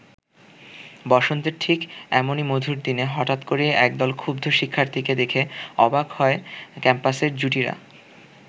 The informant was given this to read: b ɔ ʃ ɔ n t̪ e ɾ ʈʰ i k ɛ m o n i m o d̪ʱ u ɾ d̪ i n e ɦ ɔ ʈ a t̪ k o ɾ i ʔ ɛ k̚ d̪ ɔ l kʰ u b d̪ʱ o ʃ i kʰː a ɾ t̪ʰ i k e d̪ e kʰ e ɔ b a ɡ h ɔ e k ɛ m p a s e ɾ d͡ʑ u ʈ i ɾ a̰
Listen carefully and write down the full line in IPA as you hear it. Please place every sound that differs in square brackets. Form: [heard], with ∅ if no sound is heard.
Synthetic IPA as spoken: b ɔ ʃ [o] n t̪ e ɾ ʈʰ i k ɛ m o n i m o d̪ʱ u ɾ d̪ i n e ɦ ɔ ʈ a t̪ k o ɾ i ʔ ɛ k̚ d̪ ɔ l kʰ u b d̪ʱ o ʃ i kʰː a ɾ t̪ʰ i k e d̪ e kʰ e ɔ b a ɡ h ɔ e k ɛ m p a s e ɾ d͡ʑ u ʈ i ɾ a̰